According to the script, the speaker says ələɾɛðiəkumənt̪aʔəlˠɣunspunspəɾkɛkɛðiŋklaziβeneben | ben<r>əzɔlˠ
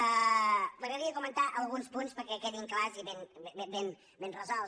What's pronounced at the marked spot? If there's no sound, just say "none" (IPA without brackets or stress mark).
r